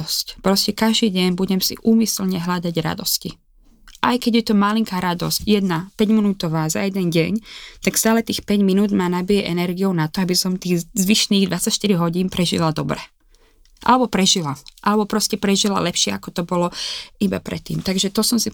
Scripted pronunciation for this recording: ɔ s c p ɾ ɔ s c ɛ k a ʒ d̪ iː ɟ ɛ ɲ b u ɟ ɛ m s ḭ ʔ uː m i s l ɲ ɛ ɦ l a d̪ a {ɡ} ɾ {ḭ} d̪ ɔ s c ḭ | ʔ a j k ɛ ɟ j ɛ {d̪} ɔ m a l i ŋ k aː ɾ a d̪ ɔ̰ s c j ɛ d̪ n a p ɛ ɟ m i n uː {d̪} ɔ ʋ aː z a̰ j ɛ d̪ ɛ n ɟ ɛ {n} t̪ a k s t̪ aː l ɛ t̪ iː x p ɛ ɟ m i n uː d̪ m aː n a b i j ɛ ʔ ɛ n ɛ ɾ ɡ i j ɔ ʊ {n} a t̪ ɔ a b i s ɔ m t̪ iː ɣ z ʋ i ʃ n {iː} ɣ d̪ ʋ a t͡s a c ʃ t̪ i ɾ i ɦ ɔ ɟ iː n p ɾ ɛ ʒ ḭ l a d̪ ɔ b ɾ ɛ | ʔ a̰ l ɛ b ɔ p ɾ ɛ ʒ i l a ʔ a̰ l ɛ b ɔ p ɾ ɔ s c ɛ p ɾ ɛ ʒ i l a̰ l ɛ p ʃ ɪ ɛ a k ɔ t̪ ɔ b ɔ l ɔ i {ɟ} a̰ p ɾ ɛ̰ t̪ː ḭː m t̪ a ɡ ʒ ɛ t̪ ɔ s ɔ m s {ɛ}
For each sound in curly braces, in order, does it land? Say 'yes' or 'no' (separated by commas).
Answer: no, no, no, no, no, yes, yes, no, no